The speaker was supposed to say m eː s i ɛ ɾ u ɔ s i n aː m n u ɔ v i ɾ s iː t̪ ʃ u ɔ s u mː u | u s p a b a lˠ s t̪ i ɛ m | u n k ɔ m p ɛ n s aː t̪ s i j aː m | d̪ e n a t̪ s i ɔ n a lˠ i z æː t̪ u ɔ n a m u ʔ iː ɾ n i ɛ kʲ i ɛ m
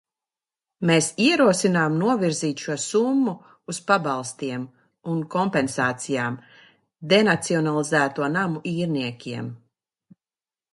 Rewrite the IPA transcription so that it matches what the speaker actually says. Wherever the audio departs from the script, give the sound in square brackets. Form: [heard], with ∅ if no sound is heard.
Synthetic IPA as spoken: m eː s i ɛ ɾ u ɔ s i n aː m n u ɔ v i ɾ [z] iː t̪ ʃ u ɔ s u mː u | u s p a b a lˠ s t̪ i ɛ m | u n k ɔ m p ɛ n s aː t̪ s i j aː m | d̪ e n a t̪ s i ɔ n a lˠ i z æː t̪ u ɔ n a m u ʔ iː ɾ n i ɛ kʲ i ɛ m